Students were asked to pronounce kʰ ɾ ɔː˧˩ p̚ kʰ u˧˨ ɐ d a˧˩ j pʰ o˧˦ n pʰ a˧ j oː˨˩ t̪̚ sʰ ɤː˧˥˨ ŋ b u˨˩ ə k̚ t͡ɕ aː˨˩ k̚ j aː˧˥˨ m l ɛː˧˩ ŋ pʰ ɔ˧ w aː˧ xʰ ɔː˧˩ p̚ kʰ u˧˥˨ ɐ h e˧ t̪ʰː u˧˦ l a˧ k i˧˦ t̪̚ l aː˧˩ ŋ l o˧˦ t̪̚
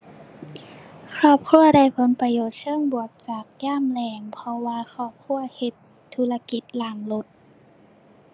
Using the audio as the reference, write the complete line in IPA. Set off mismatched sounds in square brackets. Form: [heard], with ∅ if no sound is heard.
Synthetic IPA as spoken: kʰ ɾ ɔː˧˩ p̚ kʰ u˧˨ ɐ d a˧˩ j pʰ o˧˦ n [p] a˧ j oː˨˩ t̪̚ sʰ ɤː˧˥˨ ŋ b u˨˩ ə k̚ t͡ɕ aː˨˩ k̚ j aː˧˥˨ m l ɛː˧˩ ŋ pʰ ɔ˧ w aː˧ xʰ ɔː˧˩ p̚ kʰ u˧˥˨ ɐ h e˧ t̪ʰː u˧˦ l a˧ k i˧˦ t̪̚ l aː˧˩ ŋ l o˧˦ t̪̚